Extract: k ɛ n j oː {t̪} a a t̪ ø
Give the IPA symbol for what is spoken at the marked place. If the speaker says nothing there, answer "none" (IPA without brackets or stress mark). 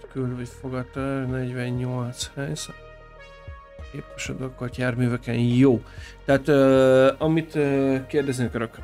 t̪